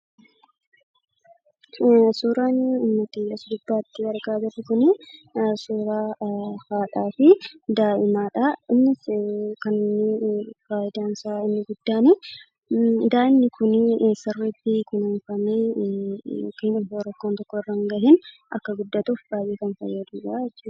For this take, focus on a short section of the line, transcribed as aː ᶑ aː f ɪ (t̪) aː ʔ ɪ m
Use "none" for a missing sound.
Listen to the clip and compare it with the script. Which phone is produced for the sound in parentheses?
d̪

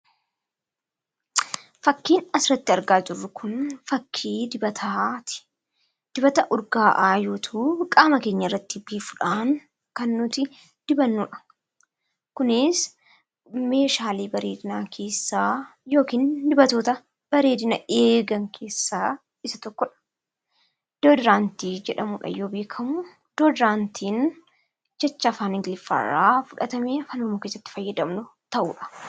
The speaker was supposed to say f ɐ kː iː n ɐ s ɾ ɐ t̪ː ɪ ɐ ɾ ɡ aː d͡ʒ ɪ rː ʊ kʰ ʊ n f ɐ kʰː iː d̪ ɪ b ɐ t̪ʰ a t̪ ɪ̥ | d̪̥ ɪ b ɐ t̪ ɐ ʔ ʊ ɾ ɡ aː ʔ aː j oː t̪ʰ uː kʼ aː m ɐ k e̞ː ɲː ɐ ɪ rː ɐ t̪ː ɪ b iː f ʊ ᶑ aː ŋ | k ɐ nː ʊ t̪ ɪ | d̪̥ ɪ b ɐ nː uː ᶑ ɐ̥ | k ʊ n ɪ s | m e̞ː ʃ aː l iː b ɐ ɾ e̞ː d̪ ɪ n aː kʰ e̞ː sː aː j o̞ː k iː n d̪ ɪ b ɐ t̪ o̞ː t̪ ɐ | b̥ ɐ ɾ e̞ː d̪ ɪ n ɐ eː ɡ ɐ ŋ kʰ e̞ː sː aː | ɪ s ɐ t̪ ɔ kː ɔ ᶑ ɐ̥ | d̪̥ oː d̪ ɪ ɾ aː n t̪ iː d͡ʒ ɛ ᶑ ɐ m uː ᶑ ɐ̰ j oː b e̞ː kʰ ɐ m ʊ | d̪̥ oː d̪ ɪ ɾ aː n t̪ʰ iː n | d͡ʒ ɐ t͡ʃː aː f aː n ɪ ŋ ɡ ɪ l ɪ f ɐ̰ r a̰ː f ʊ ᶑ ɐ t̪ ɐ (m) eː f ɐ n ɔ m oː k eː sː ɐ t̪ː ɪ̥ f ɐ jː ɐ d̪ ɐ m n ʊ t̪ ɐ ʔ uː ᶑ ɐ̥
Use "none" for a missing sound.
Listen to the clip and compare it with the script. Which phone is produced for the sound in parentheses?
m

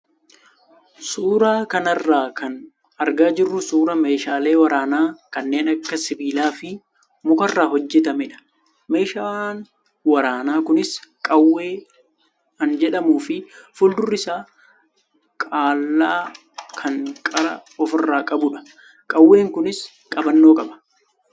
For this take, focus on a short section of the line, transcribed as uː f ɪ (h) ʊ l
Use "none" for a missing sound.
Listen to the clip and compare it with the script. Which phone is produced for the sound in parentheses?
f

